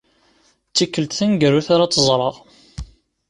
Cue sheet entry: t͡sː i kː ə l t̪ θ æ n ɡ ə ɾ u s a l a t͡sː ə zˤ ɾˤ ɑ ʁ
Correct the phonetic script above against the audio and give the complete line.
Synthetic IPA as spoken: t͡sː i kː ə l t̪ θ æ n ɡ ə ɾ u θ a ɾ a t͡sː ə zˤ ɾˤ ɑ ʁ